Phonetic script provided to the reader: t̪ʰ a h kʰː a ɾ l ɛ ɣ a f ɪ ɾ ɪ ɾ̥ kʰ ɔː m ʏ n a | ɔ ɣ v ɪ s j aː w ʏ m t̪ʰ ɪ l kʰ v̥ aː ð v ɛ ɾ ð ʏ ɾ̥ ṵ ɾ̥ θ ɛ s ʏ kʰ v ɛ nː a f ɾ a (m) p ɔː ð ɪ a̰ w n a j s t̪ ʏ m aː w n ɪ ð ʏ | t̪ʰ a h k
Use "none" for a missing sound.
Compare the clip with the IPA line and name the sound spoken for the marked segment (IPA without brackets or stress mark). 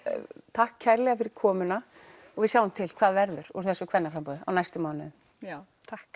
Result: m